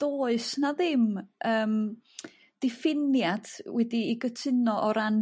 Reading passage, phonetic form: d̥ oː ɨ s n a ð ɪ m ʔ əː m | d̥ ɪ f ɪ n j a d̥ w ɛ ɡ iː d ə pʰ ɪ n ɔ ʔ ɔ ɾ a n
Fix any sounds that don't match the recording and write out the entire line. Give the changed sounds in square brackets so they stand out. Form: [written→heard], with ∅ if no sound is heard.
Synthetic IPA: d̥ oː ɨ s n a ð ɪ m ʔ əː m | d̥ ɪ f ɪ n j a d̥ w ɛ [ɡ→d] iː [d→ɡ] ə [pʰ→tʰ] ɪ n ɔ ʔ ɔ ɾ a n